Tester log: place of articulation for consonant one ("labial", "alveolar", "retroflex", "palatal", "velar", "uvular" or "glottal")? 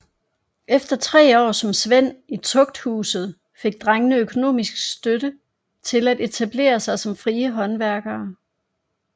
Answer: labial